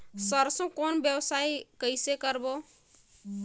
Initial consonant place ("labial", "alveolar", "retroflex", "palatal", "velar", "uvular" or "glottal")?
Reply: alveolar